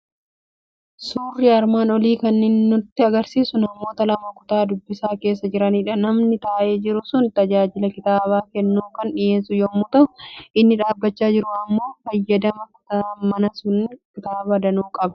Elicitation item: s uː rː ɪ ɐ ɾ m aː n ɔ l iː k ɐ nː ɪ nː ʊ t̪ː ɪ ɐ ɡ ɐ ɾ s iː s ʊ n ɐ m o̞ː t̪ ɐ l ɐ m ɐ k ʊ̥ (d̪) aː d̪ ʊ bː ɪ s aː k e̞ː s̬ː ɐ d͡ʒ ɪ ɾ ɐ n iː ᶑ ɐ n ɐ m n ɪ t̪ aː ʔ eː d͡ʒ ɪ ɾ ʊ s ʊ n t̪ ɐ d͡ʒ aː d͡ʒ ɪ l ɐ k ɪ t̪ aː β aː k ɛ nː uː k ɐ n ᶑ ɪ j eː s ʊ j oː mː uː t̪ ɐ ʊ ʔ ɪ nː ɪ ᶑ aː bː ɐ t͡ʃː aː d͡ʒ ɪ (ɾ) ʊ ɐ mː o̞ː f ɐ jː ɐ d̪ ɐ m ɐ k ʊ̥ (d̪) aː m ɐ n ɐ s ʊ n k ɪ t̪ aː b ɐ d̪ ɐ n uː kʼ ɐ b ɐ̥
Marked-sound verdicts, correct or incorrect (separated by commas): incorrect, correct, incorrect